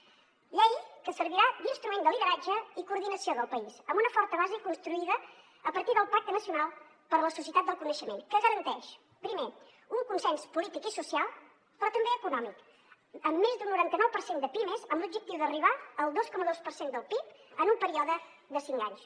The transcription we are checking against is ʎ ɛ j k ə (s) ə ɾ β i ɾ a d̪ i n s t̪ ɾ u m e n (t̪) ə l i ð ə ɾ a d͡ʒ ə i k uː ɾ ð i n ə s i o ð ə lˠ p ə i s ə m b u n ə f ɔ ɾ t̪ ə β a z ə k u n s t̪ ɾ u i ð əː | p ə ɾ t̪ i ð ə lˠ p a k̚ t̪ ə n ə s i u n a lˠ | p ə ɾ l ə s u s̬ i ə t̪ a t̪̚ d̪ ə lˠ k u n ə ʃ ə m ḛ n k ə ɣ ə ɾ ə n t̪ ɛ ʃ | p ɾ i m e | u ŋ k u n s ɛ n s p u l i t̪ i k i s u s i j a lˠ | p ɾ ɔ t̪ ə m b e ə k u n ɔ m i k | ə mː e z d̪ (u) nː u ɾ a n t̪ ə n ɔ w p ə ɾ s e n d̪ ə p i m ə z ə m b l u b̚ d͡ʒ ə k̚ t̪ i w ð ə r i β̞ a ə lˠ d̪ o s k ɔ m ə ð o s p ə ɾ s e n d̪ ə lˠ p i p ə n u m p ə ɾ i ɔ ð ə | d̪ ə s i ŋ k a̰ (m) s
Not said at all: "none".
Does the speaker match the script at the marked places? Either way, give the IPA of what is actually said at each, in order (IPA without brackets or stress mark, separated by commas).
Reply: s, d̪, u, ɲ